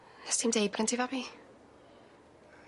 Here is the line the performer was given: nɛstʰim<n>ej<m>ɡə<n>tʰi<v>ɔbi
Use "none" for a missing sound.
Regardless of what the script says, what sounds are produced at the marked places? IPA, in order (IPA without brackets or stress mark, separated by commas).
d, b, n, v